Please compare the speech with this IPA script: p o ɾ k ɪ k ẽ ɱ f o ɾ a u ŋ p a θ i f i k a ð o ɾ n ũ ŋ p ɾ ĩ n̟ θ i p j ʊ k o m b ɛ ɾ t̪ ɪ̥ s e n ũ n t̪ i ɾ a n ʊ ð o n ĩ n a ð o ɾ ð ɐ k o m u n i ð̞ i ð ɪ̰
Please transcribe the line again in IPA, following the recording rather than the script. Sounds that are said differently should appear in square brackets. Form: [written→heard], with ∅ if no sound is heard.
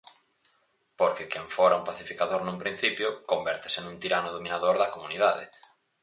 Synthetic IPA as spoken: p o ɾ k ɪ k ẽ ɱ f o ɾ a u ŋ p a θ i f i k a ð o ɾ n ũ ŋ p ɾ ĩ n̟ θ i p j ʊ k o m b ɛ ɾ t̪ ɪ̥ s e n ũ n t̪ i ɾ a n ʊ ð o [n→m] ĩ n a ð o ɾ ð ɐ k o m u n i ð̞ [i→a] ð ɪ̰